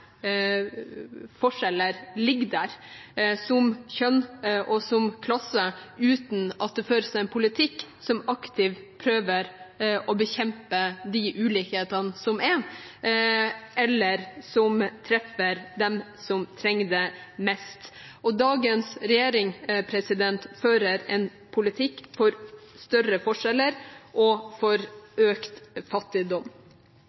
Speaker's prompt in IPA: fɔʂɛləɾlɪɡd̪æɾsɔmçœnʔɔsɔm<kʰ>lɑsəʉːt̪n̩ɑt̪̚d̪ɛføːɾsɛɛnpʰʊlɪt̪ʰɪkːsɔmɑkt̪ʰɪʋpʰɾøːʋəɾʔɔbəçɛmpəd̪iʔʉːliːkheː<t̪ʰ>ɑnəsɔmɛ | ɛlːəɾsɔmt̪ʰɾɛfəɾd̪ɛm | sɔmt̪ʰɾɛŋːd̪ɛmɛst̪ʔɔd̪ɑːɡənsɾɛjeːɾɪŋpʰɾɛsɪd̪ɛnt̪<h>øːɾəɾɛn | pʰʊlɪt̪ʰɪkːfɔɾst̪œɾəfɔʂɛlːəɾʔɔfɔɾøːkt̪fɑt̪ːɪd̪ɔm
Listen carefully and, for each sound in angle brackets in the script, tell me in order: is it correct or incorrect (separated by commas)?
correct, incorrect, incorrect